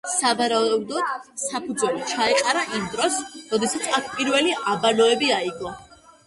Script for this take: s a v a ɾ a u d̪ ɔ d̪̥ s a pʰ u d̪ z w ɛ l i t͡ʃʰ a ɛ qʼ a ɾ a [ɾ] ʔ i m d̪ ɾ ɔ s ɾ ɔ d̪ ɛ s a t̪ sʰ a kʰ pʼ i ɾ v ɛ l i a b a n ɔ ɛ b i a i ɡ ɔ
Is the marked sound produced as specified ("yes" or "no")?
no